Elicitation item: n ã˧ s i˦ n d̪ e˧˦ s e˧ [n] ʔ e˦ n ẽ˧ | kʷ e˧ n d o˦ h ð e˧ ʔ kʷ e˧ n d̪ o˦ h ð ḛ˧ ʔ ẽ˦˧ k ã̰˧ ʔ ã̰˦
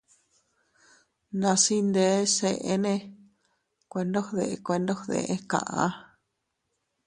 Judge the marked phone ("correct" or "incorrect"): incorrect